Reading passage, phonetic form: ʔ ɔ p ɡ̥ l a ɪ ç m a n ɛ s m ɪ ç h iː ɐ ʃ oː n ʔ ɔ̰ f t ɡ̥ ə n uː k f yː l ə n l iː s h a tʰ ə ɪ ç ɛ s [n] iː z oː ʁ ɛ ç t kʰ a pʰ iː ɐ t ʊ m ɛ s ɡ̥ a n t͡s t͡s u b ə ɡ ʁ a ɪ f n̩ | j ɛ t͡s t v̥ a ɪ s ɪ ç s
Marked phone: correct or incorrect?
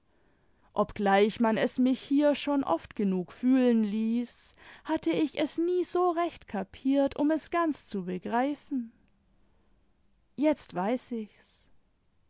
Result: correct